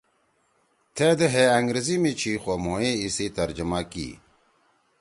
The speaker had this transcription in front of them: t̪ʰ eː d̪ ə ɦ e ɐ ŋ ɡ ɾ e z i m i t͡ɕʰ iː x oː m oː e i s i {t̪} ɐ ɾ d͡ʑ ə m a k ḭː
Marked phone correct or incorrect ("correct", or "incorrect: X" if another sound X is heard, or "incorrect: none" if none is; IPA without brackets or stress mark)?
correct